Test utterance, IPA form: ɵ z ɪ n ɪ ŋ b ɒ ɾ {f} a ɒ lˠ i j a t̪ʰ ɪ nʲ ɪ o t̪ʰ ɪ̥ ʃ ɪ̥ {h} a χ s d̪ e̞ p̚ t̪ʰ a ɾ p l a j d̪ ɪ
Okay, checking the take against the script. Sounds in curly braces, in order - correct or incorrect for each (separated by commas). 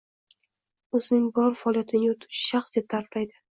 correct, incorrect